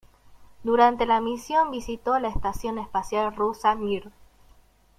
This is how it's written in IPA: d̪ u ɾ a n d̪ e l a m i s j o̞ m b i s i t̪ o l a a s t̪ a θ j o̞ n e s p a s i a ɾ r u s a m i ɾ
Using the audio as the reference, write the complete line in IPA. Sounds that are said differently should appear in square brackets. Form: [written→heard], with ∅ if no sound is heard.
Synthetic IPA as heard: d̪ u ɾ a n [d̪→t̪] e l a m i s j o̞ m b i s i t̪ o l a [a→e] s t̪ a [θ→s] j o̞ n e s p a s [i→j] a [ɾ→l] r u s a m i ɾ